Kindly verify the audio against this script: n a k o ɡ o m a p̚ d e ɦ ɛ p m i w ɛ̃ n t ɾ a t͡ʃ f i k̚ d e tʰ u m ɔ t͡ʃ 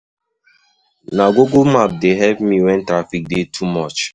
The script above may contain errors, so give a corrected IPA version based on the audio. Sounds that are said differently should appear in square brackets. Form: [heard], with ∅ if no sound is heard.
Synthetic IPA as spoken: n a [ɡ] o ɡ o m a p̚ d e ɦ ɛ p m i w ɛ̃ n t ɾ a [∅] f i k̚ d e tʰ u m ɔ t͡ʃ